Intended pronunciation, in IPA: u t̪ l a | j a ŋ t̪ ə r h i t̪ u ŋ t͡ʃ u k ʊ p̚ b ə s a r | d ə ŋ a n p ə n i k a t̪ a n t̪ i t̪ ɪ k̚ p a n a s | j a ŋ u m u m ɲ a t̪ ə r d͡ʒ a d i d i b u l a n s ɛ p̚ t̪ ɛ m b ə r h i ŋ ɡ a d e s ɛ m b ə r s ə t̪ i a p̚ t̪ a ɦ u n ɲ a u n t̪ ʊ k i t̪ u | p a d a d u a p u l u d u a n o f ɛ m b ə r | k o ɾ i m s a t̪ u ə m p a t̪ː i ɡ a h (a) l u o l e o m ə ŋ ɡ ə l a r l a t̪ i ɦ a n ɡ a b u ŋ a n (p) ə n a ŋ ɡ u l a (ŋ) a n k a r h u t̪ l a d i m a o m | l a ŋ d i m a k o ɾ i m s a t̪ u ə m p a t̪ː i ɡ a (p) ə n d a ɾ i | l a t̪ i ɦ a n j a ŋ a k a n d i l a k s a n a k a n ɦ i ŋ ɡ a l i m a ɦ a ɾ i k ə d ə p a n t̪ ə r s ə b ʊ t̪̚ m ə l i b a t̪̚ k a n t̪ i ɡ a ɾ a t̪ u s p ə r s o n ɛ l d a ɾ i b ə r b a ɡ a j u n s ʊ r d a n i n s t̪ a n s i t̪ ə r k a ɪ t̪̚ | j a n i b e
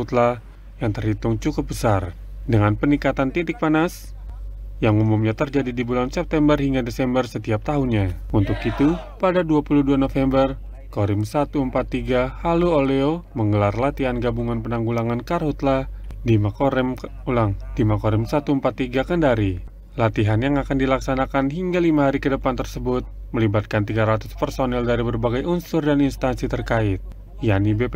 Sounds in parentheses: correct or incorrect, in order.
correct, correct, correct, incorrect: k

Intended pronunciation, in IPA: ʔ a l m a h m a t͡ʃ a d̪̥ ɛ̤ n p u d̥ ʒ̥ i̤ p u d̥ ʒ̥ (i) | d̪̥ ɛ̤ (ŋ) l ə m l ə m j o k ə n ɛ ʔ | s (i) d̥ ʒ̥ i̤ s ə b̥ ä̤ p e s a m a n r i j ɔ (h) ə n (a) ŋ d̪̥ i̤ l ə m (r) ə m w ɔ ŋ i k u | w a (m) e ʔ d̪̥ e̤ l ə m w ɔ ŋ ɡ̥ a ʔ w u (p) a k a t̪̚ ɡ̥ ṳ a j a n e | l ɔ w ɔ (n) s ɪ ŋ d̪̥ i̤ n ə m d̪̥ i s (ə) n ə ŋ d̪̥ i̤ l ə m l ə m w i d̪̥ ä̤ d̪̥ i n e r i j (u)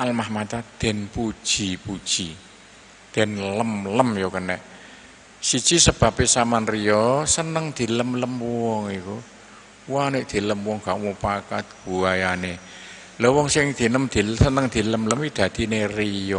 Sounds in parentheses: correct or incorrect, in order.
correct, incorrect: n, correct, incorrect: s, incorrect: ə, incorrect: l, incorrect: n, correct, incorrect: ŋ, correct, incorrect: ɔ

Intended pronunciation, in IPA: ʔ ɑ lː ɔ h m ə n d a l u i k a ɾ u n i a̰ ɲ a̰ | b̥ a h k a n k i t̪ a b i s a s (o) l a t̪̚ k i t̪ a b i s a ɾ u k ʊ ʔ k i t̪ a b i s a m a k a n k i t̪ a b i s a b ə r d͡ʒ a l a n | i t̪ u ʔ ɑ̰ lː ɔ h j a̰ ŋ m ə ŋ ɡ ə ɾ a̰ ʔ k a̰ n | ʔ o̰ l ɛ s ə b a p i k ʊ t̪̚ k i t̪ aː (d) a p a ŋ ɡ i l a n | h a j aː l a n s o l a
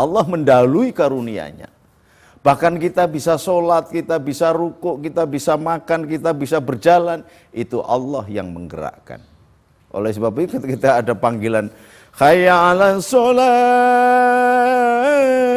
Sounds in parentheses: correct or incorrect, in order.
correct, correct

